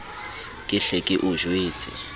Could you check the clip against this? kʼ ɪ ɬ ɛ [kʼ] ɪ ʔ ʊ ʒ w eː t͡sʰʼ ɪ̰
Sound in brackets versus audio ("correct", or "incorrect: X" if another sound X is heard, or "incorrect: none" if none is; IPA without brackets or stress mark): correct